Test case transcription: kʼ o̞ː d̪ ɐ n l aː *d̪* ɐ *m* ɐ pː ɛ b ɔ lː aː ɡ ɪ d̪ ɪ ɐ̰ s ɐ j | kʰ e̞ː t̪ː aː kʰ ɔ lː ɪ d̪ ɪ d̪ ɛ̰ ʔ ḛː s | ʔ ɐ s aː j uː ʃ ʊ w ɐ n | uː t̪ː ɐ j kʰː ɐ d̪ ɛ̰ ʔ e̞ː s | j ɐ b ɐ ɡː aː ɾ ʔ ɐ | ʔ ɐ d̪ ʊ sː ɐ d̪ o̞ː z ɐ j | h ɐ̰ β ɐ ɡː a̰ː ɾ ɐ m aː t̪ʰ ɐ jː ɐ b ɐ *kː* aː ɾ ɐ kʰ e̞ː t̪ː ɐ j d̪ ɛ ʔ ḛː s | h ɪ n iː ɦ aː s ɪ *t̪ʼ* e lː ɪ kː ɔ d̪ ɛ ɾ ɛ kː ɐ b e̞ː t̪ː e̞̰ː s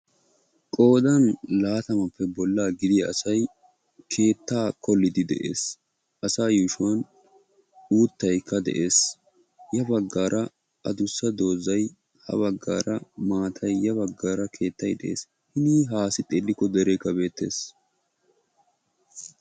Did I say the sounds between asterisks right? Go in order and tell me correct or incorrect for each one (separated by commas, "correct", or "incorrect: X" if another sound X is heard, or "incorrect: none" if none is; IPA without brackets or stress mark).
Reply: incorrect: t̪, correct, incorrect: ɡː, correct